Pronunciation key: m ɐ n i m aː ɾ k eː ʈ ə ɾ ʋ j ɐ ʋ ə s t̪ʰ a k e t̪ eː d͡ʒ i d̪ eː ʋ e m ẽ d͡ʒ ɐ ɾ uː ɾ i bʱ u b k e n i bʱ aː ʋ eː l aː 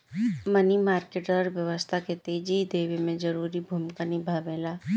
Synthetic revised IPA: m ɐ n i m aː ɾ k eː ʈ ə ɾ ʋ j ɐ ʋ ə s t̪ʰ a k e t̪ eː d͡ʒ i d̪ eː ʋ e m ẽ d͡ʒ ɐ ɾ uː ɾ i bʱ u m k a n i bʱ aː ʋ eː l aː